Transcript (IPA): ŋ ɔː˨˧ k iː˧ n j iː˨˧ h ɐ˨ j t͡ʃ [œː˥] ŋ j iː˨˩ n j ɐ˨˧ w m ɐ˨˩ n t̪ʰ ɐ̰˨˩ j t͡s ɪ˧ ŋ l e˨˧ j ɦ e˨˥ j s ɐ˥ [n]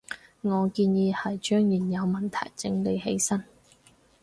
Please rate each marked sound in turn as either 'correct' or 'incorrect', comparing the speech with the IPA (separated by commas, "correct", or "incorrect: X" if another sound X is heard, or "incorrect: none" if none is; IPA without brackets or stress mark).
correct, correct